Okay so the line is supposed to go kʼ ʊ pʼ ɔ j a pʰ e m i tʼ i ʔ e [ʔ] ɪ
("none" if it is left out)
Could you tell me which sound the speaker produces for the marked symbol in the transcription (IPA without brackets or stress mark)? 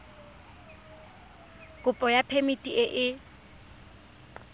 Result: ʔ